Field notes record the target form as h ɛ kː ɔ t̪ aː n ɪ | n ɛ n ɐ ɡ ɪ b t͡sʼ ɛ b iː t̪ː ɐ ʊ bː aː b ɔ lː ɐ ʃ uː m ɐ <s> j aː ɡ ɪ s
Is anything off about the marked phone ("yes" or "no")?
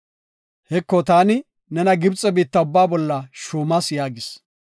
no